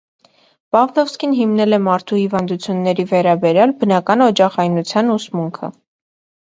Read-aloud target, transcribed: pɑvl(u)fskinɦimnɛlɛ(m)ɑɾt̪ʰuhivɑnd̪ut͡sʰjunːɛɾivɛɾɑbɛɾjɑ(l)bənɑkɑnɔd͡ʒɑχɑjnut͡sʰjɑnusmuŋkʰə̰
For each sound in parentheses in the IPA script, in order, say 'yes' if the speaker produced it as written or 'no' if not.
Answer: no, yes, yes

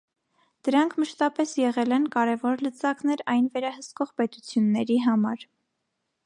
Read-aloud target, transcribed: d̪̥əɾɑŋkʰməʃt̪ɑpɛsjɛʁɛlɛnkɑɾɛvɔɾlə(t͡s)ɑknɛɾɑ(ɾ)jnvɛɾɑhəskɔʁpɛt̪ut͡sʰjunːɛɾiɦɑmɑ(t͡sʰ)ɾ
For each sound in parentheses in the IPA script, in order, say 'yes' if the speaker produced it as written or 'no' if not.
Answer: yes, no, no

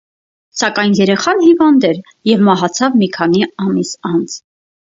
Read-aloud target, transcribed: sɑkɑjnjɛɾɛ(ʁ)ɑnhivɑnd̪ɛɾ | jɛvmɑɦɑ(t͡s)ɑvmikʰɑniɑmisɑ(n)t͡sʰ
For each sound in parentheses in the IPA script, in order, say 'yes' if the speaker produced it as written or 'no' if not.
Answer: no, no, yes

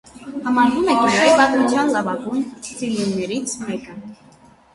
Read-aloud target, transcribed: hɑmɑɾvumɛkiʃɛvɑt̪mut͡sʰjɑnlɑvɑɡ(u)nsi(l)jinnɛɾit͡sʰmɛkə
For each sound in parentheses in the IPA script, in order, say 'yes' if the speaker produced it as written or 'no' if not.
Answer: yes, yes

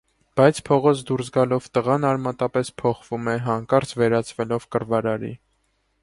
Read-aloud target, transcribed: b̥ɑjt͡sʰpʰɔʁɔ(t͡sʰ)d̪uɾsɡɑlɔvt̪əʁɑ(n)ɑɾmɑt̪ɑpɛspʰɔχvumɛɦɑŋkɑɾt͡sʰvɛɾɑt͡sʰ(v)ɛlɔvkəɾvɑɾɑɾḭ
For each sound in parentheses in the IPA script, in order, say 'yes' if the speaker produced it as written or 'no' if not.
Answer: yes, yes, yes

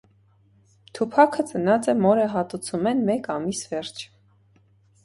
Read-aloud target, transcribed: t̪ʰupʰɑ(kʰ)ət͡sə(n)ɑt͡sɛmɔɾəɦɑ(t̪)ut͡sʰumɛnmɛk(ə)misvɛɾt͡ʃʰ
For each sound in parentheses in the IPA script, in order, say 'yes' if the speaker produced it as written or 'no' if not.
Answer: yes, yes, yes, no

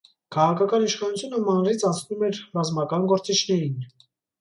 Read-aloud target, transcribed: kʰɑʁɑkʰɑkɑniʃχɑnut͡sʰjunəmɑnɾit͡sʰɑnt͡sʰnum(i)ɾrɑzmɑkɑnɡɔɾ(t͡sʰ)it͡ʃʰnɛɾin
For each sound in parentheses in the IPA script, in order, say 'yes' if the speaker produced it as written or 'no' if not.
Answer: no, no

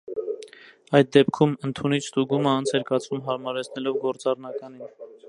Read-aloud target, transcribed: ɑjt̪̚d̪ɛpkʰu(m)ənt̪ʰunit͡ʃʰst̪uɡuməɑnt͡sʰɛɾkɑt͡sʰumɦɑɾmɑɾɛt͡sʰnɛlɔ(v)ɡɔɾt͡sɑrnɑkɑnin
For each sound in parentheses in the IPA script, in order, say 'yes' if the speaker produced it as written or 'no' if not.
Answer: yes, yes

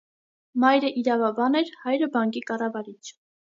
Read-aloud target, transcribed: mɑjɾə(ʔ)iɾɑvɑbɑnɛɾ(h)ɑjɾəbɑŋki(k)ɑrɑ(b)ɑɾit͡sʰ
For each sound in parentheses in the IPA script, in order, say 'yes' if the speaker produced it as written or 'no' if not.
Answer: yes, yes, yes, no

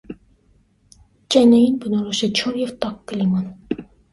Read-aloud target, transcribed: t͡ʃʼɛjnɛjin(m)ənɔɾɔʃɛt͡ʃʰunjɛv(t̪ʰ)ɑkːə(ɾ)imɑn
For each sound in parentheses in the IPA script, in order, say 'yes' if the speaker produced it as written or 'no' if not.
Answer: no, no, no

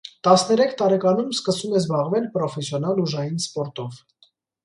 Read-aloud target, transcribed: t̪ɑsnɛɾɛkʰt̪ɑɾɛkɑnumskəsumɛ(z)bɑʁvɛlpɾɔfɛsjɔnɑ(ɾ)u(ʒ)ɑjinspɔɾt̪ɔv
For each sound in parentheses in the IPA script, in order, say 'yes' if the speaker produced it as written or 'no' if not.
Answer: yes, no, yes

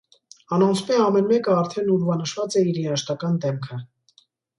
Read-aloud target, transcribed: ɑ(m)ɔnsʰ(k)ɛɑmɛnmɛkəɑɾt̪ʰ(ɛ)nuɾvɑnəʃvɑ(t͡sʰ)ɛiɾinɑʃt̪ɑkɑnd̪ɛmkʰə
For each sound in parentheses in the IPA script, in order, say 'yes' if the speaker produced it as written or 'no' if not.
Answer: no, no, yes, no

